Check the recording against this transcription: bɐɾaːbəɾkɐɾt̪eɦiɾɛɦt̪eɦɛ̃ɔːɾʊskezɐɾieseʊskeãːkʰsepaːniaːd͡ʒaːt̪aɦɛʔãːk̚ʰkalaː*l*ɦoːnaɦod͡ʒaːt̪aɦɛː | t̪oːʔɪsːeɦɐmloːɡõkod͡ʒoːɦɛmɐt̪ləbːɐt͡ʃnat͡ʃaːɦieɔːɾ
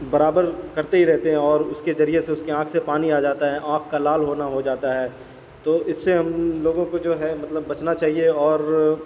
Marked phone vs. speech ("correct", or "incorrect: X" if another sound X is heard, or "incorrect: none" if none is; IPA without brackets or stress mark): correct